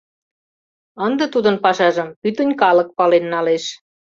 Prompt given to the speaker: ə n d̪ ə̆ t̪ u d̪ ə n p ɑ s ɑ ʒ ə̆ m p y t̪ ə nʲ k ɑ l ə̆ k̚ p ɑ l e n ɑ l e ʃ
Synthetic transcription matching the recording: ə n d̪ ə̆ t̪ u d̪ ə n p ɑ ʃ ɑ ʒ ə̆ m p y t̪ ə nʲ k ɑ l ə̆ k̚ p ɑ l e nː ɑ l e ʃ

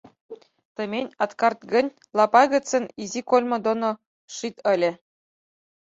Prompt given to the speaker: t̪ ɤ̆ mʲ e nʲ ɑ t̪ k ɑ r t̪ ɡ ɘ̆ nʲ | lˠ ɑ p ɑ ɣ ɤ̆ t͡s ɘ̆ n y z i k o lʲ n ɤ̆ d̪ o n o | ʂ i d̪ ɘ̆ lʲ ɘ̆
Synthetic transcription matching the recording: t̪ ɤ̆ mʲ e nʲ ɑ t̪ k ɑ r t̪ ɡ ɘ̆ nʲ | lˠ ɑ p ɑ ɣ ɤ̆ t͡s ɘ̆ n i z i k o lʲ m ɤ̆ d̪ o n o | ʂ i t̪ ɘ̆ lʲ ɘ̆

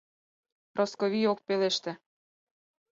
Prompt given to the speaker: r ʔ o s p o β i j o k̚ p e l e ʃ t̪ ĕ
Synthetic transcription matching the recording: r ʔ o s k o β i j o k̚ p e l e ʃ t̪ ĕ

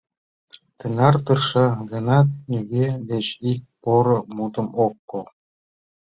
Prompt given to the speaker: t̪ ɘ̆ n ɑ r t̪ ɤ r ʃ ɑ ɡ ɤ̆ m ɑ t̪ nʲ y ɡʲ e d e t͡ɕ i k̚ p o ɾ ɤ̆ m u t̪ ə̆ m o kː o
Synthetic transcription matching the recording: t̪ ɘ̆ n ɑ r t̪ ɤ r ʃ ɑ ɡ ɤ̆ n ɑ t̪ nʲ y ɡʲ e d e t͡ɕ i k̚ p o ɾ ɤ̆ m u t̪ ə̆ m o kː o

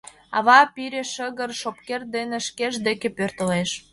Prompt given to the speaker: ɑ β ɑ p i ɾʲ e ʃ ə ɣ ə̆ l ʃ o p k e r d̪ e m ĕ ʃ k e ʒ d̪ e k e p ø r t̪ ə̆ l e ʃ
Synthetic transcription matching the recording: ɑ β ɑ p i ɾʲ e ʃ ə ɣ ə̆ r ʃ o p k e r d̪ e n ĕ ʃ k e ʒ d̪ e k e p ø r t̪ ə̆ l e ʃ

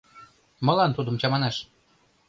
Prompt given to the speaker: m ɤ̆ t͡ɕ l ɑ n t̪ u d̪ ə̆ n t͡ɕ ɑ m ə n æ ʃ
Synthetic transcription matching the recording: m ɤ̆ l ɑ n t̪ u d̪ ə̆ m t͡ɕ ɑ m ɑ n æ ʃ

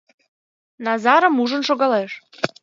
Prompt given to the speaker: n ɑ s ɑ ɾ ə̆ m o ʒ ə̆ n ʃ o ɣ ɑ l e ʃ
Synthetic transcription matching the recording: n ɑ z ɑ ɾ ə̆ m u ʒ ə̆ n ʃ o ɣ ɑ l e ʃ

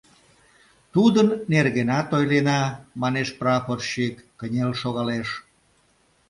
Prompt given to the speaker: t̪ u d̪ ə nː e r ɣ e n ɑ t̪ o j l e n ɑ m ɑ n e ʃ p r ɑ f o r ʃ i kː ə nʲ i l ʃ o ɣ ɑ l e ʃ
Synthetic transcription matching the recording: t̪ u d̪ ə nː e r ɣ e n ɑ t̪ o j l e n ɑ m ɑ n e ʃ p r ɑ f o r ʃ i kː ə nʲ e l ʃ o ɣ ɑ l e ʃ

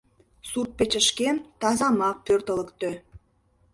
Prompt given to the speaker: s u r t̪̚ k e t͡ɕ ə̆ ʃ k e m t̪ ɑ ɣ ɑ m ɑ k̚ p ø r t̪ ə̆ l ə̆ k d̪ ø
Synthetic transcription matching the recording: s u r t̪̚ p e t͡ɕ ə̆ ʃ k e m t̪ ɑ z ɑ m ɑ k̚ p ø r t̪ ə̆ l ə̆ k t̪ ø

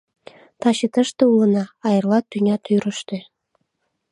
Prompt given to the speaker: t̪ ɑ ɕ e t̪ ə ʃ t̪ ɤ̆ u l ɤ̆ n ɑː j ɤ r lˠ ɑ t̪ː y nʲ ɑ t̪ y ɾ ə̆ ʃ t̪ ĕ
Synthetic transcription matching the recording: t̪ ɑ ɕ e t̪ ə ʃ t̪ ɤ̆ u l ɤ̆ n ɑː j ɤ r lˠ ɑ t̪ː y nʲ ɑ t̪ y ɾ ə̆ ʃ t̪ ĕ

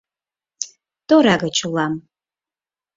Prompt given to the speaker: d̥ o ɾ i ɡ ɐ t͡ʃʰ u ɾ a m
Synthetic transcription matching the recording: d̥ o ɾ a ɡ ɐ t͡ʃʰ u l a m

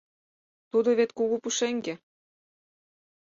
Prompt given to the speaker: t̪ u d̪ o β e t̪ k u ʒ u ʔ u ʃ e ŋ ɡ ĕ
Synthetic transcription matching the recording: t̪ u d̪ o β e t̪ k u ɣ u p u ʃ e ŋ ɡ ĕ

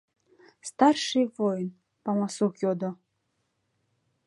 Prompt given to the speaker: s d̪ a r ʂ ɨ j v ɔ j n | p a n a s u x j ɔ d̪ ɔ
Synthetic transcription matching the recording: s t̪ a r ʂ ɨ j v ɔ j n | p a m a s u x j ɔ d̪ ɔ

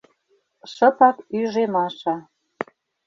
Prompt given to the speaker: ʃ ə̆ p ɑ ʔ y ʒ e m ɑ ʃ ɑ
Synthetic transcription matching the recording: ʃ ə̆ p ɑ k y ʒ e m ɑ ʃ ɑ

